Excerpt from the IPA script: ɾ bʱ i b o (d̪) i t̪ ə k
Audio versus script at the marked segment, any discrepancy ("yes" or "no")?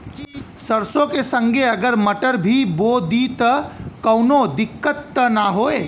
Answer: no